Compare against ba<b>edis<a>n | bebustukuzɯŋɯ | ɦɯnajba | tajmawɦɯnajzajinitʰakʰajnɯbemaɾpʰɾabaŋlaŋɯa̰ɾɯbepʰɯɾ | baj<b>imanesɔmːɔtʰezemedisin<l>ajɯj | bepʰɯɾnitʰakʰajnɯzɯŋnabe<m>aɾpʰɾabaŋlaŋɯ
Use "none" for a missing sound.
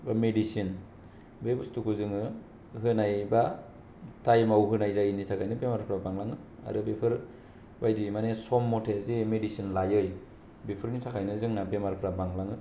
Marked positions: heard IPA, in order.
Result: m, i, d, l, m

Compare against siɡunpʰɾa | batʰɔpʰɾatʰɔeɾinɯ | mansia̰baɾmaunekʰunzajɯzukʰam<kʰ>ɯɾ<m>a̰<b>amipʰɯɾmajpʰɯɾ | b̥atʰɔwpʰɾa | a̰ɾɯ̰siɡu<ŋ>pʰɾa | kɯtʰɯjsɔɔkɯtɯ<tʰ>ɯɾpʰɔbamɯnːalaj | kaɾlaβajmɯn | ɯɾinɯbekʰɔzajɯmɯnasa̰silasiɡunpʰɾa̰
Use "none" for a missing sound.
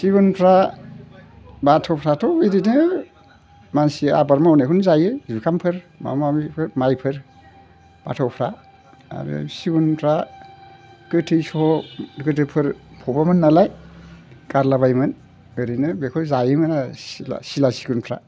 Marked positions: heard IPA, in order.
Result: pʰ, m, m, n, pʰ

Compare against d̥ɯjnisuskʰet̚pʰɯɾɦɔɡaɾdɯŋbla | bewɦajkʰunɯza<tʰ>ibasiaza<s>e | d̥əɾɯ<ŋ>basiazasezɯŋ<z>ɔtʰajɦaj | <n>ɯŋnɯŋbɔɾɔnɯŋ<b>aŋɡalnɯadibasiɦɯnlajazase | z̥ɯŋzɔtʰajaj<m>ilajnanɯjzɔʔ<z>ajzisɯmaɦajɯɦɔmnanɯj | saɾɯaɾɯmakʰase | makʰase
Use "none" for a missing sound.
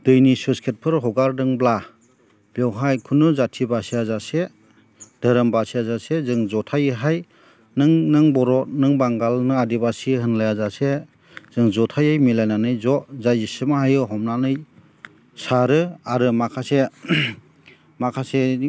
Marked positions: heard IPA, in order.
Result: tʰ, s, m, z, n, b, m, z

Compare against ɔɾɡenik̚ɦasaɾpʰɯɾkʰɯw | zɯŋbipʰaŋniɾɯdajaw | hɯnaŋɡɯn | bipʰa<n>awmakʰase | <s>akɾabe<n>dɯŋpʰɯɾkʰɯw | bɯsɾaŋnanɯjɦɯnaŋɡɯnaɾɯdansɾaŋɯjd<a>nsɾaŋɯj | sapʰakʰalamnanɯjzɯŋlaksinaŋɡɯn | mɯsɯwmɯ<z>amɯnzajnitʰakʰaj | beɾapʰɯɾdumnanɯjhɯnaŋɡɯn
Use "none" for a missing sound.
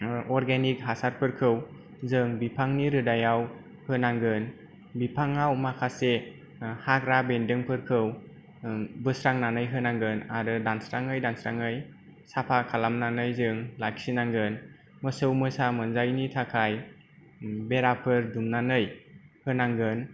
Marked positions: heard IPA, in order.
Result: ŋ, h, n, a, s

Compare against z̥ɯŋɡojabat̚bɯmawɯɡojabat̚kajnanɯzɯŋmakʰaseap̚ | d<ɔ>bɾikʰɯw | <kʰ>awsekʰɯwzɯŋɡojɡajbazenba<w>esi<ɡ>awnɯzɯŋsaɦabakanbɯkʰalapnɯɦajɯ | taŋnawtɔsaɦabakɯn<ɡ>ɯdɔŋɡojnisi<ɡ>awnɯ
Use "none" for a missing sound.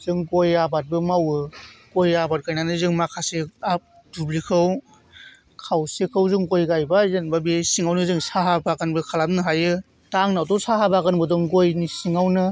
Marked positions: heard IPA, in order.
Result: u, kʰ, b, ŋ, b, ŋ

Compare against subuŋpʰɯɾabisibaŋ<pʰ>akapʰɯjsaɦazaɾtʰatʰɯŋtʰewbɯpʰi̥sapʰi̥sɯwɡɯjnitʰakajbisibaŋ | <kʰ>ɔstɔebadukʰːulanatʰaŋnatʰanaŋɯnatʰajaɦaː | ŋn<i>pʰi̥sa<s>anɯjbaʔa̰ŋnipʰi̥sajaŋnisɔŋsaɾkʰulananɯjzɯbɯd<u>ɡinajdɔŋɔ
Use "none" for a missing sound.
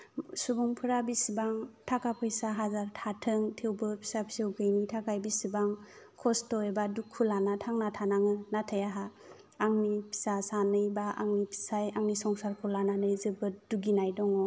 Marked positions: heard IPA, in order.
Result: tʰ, kʰ, i, s, u

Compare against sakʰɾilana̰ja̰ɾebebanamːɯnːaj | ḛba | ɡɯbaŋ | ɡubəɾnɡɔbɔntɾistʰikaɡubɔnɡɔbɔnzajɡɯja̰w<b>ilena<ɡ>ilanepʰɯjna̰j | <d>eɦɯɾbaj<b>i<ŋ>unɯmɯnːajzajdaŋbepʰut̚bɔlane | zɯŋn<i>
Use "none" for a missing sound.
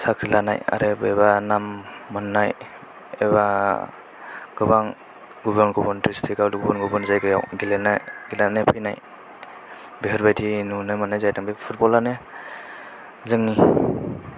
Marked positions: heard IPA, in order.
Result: ɡ, ɡ, b, d, n, i

